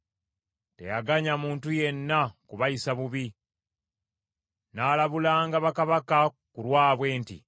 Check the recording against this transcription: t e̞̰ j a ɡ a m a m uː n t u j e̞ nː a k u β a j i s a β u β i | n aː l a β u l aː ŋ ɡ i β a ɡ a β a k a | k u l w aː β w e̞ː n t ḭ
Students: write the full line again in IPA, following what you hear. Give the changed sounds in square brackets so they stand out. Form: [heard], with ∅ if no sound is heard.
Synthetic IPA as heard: t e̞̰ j a ɡ a [ɲ] a m uː n t u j e̞ nː a k u β a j i s a β u β i | n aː l a β u l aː ŋ ɡ [a] β a [k] a β a k a | k u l w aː β w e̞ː n t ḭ